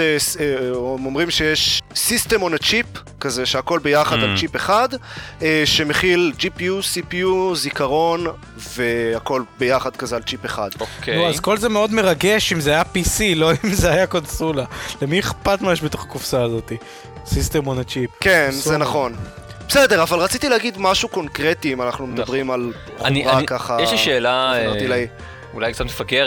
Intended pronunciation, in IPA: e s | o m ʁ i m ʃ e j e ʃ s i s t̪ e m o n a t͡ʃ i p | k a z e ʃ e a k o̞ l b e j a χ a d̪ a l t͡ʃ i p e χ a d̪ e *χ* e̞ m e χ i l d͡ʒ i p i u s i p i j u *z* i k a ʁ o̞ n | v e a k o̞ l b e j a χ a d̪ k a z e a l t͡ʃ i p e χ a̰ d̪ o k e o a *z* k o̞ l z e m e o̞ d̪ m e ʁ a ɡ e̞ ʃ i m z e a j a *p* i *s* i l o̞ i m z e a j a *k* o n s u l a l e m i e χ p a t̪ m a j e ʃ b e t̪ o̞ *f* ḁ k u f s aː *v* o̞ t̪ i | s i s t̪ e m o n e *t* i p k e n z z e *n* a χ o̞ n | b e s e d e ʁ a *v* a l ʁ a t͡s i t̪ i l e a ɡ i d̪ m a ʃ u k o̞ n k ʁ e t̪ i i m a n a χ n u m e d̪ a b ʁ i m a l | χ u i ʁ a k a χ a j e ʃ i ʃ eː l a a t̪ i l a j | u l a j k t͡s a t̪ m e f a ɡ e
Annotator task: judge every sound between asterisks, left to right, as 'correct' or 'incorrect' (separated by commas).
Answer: incorrect, correct, correct, correct, correct, correct, incorrect, incorrect, incorrect, correct, correct